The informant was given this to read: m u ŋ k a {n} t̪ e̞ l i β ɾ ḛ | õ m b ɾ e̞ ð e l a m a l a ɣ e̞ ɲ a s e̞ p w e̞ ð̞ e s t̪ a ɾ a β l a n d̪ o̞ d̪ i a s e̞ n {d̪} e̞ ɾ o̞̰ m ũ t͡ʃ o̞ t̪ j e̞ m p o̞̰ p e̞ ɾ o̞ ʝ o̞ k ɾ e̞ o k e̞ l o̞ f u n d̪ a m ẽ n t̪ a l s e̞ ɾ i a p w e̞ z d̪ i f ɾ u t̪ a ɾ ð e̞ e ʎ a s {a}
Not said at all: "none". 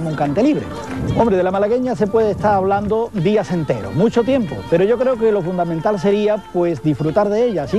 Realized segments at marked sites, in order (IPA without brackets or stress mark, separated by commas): n, t̪, i